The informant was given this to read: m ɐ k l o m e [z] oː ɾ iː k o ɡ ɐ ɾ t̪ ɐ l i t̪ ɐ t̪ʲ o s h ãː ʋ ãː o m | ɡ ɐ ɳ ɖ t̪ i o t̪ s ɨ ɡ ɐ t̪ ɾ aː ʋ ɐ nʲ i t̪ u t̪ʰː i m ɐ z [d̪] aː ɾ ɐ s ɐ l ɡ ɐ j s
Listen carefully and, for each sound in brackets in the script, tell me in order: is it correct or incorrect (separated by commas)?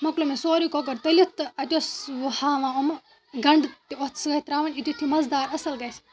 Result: incorrect, correct